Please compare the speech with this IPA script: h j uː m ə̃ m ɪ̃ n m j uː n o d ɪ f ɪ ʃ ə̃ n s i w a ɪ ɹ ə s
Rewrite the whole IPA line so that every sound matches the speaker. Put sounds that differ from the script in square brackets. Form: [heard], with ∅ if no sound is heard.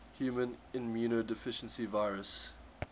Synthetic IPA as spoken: h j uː m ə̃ [n] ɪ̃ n m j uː n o d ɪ f ɪ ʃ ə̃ n s i [v] a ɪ ɹ ə s